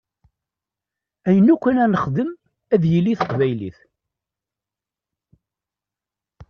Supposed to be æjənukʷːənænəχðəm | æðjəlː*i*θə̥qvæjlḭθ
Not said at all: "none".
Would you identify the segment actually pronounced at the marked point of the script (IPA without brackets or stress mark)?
i